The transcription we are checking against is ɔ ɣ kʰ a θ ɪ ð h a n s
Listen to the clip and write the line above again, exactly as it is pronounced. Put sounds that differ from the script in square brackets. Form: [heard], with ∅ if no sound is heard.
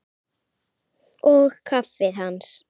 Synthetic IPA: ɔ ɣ kʰ a [f] ɪ ð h a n s

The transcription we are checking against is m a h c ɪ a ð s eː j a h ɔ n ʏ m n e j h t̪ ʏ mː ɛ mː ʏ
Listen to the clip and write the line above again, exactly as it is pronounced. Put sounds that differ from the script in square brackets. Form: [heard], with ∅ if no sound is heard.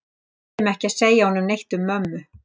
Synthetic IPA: m [ɛ] h c ɪ a ð s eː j a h ɔ n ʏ m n e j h t̪ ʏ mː [œ] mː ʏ

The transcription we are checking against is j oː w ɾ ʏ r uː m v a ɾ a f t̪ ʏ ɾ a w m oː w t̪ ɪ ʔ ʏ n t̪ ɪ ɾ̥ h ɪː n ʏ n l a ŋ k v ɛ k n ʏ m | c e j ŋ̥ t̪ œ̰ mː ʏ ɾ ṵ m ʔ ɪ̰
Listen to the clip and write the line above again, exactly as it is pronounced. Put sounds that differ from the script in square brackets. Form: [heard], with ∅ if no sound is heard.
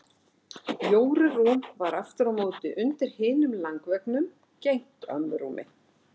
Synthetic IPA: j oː w ɾ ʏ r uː m v a ɾ a f t̪ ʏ ɾ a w m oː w t̪ ɪ ʔ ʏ n t̪ ɪ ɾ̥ h ɪː n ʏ [m] l a ŋ k v ɛ k n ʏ m | c e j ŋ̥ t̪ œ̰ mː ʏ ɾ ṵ m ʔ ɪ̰

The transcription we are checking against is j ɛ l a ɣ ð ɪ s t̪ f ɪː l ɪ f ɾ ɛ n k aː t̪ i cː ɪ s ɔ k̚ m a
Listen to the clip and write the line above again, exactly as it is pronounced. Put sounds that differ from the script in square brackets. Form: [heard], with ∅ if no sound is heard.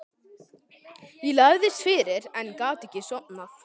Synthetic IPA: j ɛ l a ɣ ð ɪ s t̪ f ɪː [ɾ] ɪ [∅] ɾ ɛ n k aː t̪ [ɛ] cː ɪ s ɔ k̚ [n] a

